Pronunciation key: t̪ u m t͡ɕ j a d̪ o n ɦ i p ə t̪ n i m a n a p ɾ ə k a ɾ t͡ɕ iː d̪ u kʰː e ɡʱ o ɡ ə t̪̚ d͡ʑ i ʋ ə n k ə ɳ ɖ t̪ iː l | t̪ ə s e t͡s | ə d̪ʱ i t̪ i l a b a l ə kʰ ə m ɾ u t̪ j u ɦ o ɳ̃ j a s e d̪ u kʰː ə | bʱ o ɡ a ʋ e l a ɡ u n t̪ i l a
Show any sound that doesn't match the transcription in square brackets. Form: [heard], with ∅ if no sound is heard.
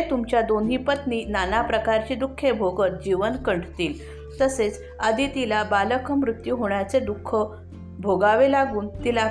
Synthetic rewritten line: t̪ u m t͡ɕ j a d̪ o n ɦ i p ə t̪ n i [n] a n a p ɾ ə k a ɾ t͡ɕ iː d̪ u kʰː e [bʱ] o ɡ ə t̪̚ d͡ʑ i ʋ ə n k ə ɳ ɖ t̪ iː l | t̪ ə s e t͡s | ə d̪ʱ i t̪ i l a b a l ə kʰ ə m ɾ u t̪ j u ɦ o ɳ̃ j a [t͡s] e d̪ u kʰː ə | bʱ o ɡ a ʋ e l a ɡ [uː] n t̪ i l a